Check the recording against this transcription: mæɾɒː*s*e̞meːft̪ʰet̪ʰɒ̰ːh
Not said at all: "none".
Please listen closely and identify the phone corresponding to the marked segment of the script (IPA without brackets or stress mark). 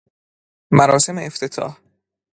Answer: s